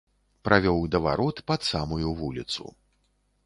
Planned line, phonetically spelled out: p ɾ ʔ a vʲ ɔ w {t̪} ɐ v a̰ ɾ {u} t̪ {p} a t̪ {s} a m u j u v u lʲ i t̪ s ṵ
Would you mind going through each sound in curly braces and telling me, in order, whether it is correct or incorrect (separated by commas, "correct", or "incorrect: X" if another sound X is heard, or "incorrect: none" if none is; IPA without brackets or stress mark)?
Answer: incorrect: d̪, incorrect: ɔ, correct, correct